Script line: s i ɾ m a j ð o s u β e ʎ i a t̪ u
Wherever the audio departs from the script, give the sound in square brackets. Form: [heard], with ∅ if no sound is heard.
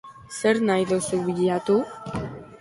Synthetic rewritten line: s [e] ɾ [n] a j ð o s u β [i] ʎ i a t̪ u

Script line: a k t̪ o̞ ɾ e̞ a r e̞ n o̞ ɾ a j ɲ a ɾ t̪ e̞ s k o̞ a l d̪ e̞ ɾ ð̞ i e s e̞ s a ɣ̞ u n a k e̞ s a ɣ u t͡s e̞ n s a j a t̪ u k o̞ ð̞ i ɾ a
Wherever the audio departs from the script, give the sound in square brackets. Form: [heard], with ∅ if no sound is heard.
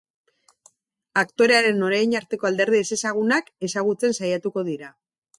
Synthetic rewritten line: a k t̪ o̞ ɾ e̞ a [ɾ] e̞ n o̞ ɾ a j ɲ a ɾ t̪ e̞ [∅] k o̞ a l d̪ e̞ ɾ ð̞ i e s e̞ s a ɣ̞ u n a k e̞ s a ɣ u t͡s e̞ n s a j a t̪ u k o̞ ð̞ i ɾ a

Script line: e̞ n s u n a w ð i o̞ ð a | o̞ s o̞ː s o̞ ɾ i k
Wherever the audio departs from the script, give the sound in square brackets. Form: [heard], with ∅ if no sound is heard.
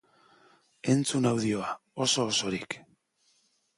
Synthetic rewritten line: e̞ n [t͡s] u n a w ð i o̞ [∅] a | o̞ s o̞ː s o̞ ɾ i k

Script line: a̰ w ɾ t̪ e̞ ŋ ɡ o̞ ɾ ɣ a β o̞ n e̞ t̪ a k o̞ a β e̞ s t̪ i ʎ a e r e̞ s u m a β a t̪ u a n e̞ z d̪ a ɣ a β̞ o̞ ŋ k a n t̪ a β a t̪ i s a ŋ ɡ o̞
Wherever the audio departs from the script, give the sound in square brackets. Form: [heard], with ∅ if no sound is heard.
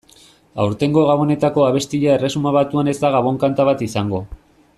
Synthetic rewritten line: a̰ w ɾ t̪ e̞ ŋ ɡ o̞ [∅] ɣ a β o̞ n e̞ t̪ a k o̞ a β e̞ s t̪ i ʎ a e r e̞ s u m a β a t̪ u a n e̞ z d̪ a ɣ a β̞ o̞ ŋ k a n t̪ a β a t̪ i s a ŋ ɡ o̞

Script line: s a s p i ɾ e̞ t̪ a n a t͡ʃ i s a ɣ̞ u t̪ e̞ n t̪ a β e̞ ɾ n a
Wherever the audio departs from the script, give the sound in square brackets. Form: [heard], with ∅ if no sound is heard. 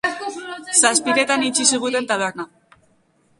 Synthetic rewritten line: s a s p i ɾ e̞ t̪ a n [i] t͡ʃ i s [i] ɣ̞ u t̪ e̞ n t̪ a β e̞ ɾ n a

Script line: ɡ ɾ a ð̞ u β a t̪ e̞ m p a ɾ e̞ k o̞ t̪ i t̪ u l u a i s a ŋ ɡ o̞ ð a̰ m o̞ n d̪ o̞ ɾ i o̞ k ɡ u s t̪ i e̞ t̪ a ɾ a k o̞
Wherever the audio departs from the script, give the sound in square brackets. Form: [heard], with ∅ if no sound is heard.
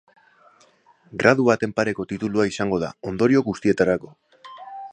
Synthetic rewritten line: ɡ ɾ a ð̞ u β a t̪ e̞ m p a ɾ e̞ k o̞ t̪ i t̪ u l u a i s a ŋ ɡ o̞ ð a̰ [∅] o̞ n d̪ o̞ ɾ i o̞ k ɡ u s t̪ i e̞ t̪ a ɾ a k o̞

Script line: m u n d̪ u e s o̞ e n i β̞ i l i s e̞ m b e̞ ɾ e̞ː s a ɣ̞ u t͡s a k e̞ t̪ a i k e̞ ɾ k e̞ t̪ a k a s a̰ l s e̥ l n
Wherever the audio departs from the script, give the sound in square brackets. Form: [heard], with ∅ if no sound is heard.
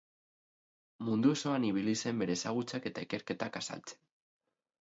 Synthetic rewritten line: m u n d̪ u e s o̞ [a] n i β̞ i l i s e̞ m b e̞ ɾ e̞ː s a ɣ̞ u t͡s a k e̞ t̪ a i k e̞ ɾ k e̞ t̪ a k a s a̰ l [t͡s] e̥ [∅] n

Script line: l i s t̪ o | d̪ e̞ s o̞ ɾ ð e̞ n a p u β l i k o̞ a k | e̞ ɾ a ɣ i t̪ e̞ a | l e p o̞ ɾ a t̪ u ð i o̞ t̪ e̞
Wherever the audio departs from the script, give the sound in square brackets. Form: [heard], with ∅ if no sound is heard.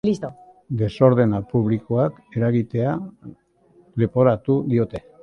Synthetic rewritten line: l i s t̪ o | d̪ e̞ s o̞ ɾ ð e̞ n a p u β l i k o̞ a k | e̞ ɾ a ɣ i t̪ e̞ a | l e p o̞ ɾ a t̪ u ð i o̞ t̪ e̞

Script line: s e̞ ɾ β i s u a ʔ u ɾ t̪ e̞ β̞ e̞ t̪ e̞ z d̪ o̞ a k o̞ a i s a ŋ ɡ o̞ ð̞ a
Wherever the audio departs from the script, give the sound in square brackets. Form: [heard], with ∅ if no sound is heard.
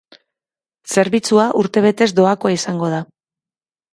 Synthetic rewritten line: s e̞ ɾ β i [t͡s] u a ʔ u ɾ t̪ e̞ β̞ e̞ t̪ e̞ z d̪ o̞ a k o̞ a i s a ŋ ɡ o̞ ð̞ a

